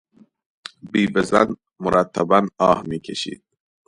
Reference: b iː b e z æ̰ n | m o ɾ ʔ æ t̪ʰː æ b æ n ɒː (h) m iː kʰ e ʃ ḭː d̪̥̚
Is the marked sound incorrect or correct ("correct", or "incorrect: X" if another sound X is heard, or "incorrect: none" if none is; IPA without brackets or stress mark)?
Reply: correct